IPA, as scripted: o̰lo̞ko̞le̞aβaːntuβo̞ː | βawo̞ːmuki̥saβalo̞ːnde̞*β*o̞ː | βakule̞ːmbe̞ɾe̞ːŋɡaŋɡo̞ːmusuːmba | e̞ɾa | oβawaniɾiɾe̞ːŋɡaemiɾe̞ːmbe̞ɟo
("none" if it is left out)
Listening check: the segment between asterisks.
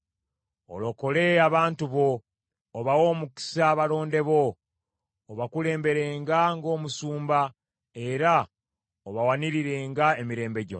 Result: β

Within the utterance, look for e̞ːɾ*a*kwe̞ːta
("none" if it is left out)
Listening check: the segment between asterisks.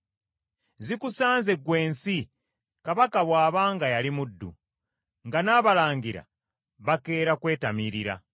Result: a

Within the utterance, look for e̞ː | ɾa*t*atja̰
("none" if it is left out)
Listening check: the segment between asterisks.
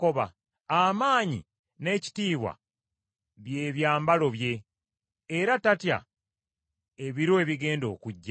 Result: t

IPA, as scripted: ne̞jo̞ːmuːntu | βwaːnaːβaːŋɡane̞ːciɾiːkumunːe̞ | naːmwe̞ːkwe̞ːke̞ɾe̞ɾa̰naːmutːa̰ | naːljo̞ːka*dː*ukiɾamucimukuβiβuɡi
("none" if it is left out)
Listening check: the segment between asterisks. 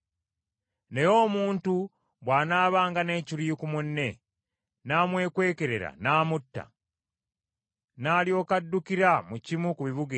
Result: dː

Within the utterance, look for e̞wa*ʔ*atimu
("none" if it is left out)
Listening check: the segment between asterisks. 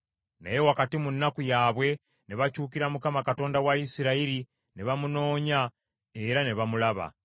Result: k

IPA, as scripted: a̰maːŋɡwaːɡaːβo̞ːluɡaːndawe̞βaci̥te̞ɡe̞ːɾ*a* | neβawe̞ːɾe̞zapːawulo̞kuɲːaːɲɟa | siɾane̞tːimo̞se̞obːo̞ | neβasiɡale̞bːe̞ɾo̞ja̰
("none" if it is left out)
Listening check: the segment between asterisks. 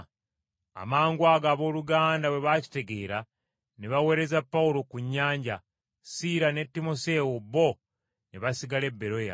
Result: a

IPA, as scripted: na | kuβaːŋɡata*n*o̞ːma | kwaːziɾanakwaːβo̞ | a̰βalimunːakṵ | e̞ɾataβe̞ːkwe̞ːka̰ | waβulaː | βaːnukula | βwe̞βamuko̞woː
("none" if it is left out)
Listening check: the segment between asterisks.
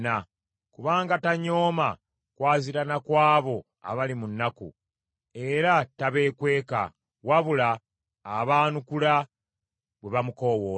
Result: ɲ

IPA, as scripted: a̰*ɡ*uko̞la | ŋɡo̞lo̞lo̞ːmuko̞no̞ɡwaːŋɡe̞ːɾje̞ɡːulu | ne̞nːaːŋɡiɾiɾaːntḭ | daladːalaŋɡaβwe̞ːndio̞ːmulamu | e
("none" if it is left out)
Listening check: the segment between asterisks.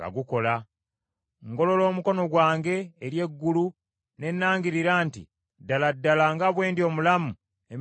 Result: ɡ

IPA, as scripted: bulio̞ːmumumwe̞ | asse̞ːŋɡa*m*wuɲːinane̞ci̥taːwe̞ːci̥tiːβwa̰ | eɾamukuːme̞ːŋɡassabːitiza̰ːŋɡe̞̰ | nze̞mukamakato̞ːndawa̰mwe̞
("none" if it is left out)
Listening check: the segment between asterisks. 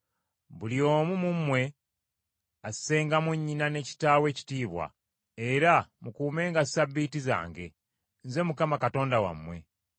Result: m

